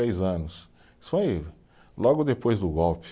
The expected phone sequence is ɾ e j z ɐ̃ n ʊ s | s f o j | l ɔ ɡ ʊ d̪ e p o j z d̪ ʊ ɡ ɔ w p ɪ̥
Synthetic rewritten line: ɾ e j z ɐ̃ n ʊ s | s f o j | l ɔ ɡ ʊ d̪ e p o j z d̪ ʊ ɡ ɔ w p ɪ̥